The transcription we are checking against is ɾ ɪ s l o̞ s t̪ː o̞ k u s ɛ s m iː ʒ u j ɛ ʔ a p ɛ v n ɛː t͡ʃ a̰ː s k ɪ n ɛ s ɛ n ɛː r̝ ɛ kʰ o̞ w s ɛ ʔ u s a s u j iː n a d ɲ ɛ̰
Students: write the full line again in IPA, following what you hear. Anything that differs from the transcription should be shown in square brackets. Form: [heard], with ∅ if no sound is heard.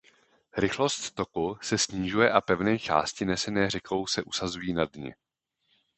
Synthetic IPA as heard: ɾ ɪ [x] l o̞ s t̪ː o̞ k u s ɛ s [ɲ] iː ʒ u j ɛ ʔ a p ɛ v n ɛː t͡ʃ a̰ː s [c] ɪ n ɛ s ɛ n ɛː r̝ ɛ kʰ o̞ w s ɛ ʔ u s a [z] u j iː n a d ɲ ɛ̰